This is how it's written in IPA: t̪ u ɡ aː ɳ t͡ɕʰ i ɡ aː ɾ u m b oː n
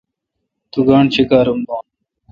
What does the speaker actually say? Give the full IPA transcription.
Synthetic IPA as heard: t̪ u ɡ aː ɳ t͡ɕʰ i k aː ɾ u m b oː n